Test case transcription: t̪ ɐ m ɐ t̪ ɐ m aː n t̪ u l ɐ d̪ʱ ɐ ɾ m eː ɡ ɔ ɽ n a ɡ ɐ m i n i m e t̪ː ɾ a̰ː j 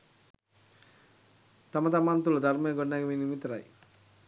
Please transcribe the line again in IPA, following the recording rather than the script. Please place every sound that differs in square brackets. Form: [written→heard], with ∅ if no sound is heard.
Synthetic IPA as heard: t̪ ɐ m ɐ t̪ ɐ m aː n t̪ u l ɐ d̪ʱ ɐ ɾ m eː ɡ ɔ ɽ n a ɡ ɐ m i n i m [e→i] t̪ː ɾ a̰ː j